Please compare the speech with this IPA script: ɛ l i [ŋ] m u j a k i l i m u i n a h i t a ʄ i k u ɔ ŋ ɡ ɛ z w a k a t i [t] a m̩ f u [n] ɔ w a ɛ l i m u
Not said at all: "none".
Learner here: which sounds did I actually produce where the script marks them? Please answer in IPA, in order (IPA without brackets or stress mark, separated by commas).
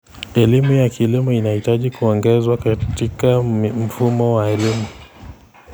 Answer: none, k, m